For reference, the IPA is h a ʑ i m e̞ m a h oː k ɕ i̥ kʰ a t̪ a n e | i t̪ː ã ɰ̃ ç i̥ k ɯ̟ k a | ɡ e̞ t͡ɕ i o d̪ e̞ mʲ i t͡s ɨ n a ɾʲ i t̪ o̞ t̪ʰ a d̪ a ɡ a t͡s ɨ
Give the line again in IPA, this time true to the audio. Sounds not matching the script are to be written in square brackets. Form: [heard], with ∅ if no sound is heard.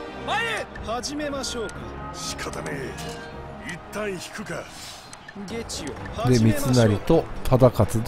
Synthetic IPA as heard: h a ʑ i m e̞ m a [ɕ] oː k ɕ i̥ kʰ a t̪ a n e | i t̪ː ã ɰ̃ ç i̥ k ɯ̟ k a | ɡ e̞ t͡ɕ i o d̪ e̞ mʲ i t͡s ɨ n a ɾʲ i t̪ o̞ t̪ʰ a d̪ a [k] a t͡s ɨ